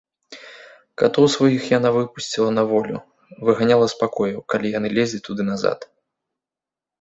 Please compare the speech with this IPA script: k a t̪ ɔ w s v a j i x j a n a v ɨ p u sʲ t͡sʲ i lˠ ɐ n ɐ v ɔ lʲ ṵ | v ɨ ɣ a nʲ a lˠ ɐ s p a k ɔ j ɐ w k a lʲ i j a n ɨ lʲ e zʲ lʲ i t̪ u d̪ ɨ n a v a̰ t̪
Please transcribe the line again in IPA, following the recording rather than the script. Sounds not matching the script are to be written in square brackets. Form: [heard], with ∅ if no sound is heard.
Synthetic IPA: k a t̪ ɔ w s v a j i x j a n a v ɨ p u sʲ t͡sʲ i lˠ ɐ n ɐ v ɔ lʲ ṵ | v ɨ ɣ a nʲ a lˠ ɐ s p a k ɔ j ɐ w k a lʲ i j a n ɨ lʲ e zʲ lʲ i t̪ u d̪ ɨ n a [z] a̰ t̪